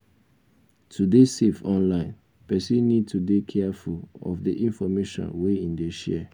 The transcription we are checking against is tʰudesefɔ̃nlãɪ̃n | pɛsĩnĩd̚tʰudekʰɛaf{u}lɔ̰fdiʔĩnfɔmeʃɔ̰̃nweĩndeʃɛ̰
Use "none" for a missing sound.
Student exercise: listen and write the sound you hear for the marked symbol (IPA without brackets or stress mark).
u